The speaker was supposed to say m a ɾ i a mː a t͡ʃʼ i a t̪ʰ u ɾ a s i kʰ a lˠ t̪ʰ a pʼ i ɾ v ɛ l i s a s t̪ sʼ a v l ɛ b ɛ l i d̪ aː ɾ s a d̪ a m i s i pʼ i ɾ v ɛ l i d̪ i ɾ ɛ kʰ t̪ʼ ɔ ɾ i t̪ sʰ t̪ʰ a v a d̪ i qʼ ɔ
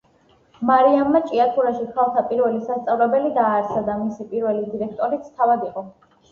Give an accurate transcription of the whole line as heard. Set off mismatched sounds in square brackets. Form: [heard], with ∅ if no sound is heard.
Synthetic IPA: m a ɾ i a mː a t͡ʃʼ i a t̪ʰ u ɾ a [ʃ] i kʰ a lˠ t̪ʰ a pʼ i ɾ v ɛ l i s a s t̪ sʼ a v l ɛ b ɛ l i d̪ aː ɾ s a d̪ a m i s i pʼ i ɾ v ɛ l i d̪ i ɾ ɛ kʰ t̪ʼ ɔ ɾ i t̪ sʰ t̪ʰ a v a d̪ i qʼ ɔ